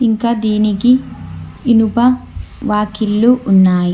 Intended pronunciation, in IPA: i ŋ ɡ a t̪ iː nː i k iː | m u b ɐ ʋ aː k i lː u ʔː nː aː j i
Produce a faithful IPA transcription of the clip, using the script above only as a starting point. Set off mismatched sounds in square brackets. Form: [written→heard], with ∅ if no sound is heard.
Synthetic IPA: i ŋ [ɡ→k] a [t̪→d̪] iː [nː→n] i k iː | [m→n] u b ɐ ʋ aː k i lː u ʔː nː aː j i